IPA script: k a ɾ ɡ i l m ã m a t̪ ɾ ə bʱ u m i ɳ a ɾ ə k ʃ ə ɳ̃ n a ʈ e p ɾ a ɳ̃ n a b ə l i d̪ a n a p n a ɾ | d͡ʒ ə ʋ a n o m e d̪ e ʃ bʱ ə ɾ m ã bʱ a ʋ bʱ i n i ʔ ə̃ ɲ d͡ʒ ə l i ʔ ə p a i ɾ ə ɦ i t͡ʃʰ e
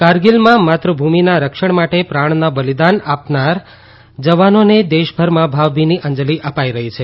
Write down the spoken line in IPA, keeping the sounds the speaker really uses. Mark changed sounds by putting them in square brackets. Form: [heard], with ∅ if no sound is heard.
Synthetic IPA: k a ɾ ɡ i l m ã m a t̪ ɾ ə bʱ u m i [n] a ɾ ə k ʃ ə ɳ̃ [m] a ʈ e p ɾ a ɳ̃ n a b ə l i d̪ a n a p n a ɾ | d͡ʒ ə ʋ a n o [n] e d̪ e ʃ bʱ ə ɾ m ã bʱ a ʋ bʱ i n i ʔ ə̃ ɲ d͡ʒ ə l i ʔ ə p a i ɾ ə ɦ i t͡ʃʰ e